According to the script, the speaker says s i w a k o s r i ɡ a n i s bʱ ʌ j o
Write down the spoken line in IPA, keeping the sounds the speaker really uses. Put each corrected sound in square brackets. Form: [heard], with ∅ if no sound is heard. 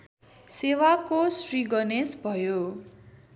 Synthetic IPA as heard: s [e] w a k o s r i ɡ [ʌ] n [e] s bʱ ʌ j o